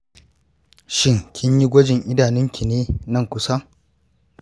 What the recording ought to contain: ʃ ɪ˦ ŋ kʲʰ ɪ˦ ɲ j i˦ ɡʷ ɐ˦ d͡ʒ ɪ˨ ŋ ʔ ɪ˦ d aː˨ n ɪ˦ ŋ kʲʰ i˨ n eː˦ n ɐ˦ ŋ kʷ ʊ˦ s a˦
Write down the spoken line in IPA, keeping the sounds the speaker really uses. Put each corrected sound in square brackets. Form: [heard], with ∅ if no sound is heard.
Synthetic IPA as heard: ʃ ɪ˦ ŋ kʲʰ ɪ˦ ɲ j i˦ ɡʷ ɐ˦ d͡ʒ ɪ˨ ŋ ʔ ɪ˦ d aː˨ n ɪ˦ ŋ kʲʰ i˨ n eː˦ n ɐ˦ ŋ kʷ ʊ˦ s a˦